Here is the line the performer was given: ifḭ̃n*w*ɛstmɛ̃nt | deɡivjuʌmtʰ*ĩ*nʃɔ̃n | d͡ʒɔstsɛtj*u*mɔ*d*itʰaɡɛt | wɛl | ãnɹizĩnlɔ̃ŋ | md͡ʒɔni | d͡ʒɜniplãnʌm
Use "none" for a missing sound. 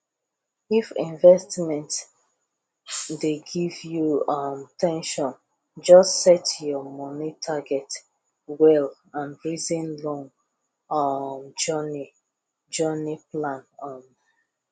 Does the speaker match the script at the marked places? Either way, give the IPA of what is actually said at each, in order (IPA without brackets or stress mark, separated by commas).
v, ɛ̃, ɔ, n